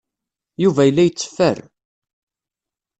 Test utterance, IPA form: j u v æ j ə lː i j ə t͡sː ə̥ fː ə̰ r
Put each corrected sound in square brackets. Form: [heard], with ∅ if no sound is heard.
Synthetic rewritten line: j u v æ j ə lː [æ] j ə t͡sː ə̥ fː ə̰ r